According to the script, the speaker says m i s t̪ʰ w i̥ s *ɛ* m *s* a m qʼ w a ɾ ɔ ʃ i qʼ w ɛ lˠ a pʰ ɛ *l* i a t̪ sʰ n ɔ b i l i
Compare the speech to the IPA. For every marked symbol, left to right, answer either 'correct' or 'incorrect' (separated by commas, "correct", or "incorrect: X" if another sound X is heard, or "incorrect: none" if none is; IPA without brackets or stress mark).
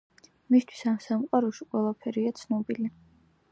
incorrect: a, correct, incorrect: ɾ